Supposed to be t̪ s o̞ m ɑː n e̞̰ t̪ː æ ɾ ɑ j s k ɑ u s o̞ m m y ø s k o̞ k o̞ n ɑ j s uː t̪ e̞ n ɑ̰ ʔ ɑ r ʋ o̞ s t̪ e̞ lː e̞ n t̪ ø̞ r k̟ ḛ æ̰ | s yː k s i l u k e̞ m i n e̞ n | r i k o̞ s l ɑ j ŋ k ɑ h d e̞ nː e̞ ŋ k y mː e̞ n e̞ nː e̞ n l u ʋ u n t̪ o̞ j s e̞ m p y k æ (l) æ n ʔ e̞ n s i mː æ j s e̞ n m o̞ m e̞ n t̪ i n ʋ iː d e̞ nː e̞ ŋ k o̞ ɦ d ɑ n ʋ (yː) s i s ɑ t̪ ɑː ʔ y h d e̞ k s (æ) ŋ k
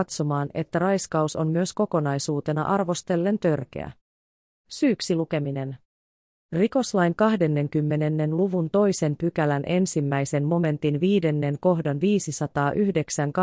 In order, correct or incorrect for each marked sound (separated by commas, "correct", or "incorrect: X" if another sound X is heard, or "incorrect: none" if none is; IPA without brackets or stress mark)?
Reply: correct, incorrect: iː, correct